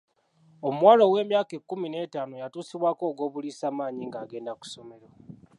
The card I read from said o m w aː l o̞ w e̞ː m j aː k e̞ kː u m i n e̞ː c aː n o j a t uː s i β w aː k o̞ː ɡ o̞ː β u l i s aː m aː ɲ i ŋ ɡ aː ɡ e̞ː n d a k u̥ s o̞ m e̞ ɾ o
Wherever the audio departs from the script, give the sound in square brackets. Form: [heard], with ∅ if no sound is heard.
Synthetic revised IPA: o m w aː l o̞ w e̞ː m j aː k e̞ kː u m i n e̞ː [t] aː n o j a t uː s i β w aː k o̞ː ɡ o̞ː β u l i s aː m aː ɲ i ŋ ɡ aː ɡ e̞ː n d a k u̥ s o̞ m e̞ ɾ o